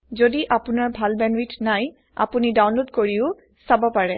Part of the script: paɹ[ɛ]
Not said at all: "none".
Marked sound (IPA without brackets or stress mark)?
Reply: ɛ